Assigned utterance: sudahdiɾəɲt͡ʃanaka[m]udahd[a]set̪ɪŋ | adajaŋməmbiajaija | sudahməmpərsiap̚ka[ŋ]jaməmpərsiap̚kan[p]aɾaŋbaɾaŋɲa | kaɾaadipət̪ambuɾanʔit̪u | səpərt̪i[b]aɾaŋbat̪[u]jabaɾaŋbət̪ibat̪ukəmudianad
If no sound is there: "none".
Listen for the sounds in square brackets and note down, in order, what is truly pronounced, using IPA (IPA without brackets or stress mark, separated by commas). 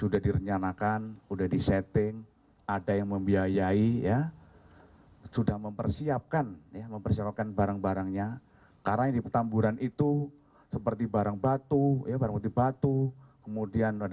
n, i, n, b, b, u